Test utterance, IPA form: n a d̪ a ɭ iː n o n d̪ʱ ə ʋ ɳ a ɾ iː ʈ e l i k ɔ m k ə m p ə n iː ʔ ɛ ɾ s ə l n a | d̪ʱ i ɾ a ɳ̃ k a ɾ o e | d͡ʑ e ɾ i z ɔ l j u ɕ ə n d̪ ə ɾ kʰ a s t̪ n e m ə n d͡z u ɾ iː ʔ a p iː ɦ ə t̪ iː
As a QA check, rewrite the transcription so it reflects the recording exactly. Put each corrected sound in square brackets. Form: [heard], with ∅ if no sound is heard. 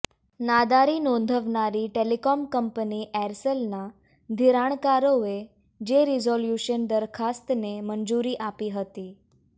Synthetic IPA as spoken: n a d̪ a [ɾ] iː n o n d̪ʱ ə ʋ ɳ a ɾ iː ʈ e l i k ɔ m k ə m p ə n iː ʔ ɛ ɾ s ə l n a | d̪ʱ i ɾ a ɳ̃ k a ɾ o e | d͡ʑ e ɾ i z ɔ l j u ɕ ə n d̪ ə ɾ kʰ a s t̪ n e m ə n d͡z u ɾ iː ʔ a p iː ɦ ə t̪ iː